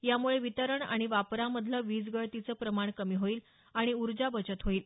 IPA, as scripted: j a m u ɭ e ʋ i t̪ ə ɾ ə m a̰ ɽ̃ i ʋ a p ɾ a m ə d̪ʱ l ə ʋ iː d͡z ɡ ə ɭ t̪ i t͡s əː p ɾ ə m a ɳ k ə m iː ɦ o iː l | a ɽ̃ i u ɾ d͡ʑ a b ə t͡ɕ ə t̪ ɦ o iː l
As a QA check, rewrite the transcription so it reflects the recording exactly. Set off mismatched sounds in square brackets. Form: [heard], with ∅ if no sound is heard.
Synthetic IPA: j a m u ɭ e ʋ i t̪ ə ɾ ə [ɳ] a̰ ɽ̃ i ʋ a p ɾ a m ə d̪ʱ l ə ʋ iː d͡z ɡ ə ɭ t̪ i t͡s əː p ɾ ə m a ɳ k ə m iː ɦ o iː l | a ɽ̃ i u ɾ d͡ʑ a b ə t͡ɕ ə t̪ ɦ o iː l